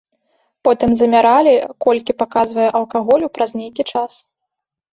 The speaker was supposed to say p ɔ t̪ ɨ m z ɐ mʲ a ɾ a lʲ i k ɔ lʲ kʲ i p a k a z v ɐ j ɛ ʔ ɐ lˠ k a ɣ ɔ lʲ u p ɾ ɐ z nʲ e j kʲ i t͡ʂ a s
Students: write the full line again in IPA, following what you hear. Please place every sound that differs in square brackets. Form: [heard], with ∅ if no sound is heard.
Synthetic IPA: p ɔ t̪ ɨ m z ɐ mʲ a ɾ a lʲ i k ɔ lʲ kʲ i p a k a z v ɐ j ɛ ʔ ɐ lˠ k a ɣ ɔ lʲ u p ɾ ɐ z nʲ e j kʲ i t͡ʂ a s